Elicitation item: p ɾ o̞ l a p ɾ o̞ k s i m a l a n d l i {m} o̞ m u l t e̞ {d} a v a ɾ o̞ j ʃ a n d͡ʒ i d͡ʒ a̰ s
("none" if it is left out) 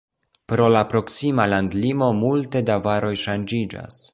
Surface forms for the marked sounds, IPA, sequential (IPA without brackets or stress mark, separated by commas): m, d